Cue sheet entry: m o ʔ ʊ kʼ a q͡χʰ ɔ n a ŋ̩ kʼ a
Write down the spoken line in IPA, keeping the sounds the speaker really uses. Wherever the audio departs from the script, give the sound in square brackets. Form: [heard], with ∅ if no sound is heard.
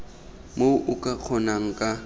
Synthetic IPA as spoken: m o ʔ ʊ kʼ a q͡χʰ ɔ n a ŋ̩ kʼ a